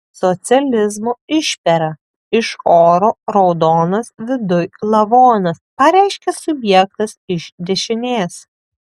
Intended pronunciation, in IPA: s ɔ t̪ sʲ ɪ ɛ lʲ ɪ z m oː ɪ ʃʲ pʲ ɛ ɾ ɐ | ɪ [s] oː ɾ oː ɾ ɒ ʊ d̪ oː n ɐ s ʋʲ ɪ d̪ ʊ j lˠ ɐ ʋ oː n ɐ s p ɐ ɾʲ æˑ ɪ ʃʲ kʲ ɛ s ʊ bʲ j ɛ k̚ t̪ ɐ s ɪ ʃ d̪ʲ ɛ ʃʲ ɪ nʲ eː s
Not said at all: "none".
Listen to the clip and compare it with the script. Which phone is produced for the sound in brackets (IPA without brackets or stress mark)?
ʃ